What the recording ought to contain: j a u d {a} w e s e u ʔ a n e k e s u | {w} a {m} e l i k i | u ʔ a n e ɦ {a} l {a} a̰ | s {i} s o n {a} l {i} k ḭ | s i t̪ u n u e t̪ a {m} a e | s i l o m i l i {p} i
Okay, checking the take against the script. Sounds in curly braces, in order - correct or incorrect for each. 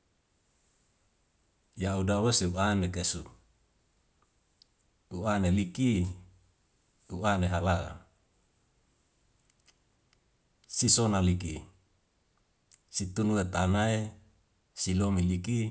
correct, incorrect: u, incorrect: n, correct, correct, correct, correct, correct, incorrect: n, incorrect: k

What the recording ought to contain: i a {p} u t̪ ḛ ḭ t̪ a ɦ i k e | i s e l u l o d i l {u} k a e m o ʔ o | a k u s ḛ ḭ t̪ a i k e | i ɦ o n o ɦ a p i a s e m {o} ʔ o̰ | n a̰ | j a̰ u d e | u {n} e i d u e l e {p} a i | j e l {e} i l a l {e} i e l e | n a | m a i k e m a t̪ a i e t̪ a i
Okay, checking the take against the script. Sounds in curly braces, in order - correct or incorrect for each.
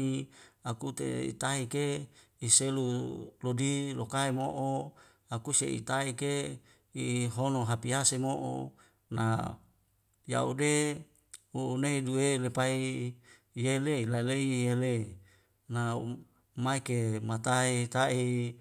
incorrect: k, incorrect: o, correct, correct, correct, correct, correct

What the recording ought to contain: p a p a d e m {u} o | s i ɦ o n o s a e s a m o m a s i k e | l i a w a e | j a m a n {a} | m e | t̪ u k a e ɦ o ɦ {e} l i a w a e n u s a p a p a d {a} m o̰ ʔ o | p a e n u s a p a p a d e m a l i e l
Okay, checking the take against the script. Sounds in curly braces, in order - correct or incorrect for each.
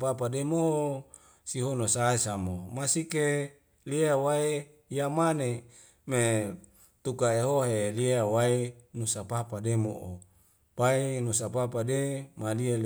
incorrect: o, incorrect: e, correct, incorrect: e

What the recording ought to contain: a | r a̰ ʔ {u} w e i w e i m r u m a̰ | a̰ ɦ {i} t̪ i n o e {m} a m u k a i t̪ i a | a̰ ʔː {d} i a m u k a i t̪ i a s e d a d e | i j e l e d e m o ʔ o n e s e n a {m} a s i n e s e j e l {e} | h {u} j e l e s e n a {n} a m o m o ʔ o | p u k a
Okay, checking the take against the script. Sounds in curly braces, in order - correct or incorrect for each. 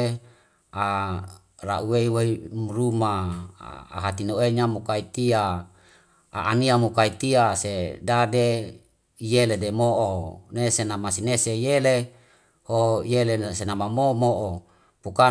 correct, incorrect: a, incorrect: ɲ, incorrect: n, correct, correct, incorrect: o, incorrect: m

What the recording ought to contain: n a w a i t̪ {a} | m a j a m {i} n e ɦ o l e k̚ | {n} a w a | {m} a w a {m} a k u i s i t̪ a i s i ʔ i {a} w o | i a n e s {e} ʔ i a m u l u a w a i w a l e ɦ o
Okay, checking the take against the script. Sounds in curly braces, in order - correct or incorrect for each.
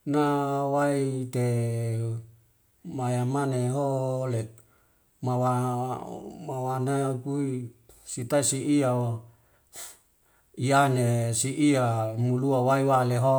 incorrect: e, incorrect: a, incorrect: m, correct, incorrect: n, correct, incorrect: i

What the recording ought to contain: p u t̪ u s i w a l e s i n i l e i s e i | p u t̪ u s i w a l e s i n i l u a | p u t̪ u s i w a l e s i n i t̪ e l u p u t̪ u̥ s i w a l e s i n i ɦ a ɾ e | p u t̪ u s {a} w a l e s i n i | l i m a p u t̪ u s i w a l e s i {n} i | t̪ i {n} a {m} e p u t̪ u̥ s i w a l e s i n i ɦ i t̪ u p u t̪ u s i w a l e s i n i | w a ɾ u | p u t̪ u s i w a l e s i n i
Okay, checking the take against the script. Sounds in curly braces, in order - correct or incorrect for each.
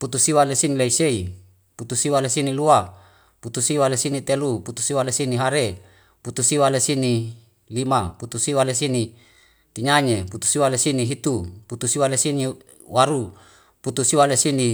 incorrect: i, correct, incorrect: ɲ, incorrect: ɲ

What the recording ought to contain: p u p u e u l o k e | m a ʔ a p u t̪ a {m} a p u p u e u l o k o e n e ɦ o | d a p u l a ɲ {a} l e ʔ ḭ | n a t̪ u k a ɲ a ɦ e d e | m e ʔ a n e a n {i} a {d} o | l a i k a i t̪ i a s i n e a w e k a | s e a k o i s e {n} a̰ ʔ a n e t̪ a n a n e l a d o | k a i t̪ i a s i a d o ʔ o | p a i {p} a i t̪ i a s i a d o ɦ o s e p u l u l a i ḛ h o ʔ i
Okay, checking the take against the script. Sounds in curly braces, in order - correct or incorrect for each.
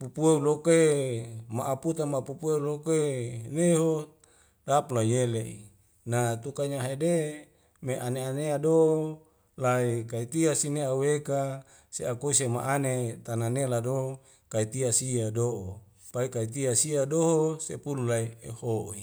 correct, incorrect: e, incorrect: e, correct, incorrect: m, incorrect: k

